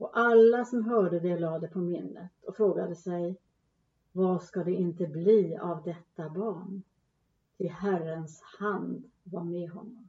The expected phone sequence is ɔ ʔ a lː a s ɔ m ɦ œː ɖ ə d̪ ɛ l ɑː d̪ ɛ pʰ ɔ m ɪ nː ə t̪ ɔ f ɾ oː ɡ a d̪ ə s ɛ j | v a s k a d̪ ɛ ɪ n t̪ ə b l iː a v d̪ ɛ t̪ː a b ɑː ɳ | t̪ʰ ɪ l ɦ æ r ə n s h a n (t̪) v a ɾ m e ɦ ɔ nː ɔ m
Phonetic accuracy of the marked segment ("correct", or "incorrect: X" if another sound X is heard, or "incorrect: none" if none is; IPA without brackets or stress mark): incorrect: d̪